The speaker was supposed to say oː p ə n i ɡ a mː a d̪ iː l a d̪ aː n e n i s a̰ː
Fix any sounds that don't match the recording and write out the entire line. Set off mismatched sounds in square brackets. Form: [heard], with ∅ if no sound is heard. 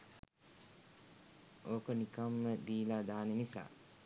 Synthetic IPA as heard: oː [k] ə n i [k] a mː [ə] d̪ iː l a d̪ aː n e n i s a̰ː